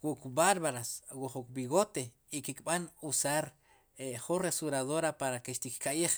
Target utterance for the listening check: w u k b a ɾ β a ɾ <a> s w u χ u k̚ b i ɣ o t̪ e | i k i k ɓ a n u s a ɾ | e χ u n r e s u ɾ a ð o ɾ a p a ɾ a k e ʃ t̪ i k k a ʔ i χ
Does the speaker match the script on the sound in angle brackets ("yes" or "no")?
yes